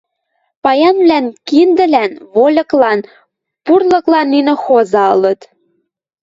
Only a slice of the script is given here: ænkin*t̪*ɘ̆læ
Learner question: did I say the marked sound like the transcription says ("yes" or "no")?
no